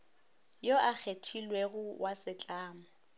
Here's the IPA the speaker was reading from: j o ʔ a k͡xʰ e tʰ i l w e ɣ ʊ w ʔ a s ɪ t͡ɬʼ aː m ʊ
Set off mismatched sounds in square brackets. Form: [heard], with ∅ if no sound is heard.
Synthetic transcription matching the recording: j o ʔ a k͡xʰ e tʰ i l w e ɣ ʊ w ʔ a s ɪ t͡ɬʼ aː m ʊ